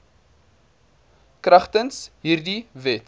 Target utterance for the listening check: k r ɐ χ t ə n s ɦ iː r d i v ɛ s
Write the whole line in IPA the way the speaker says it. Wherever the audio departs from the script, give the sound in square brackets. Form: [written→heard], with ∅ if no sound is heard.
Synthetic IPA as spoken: k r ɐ χ t ə n s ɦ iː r d i v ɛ [s→t]